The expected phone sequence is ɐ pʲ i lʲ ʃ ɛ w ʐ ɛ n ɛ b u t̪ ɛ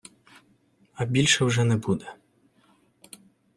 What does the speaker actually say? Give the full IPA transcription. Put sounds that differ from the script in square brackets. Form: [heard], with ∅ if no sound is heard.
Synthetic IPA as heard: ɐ [bʲ] i lʲ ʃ ɛ w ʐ ɛ n ɛ b u [d̪] ɛ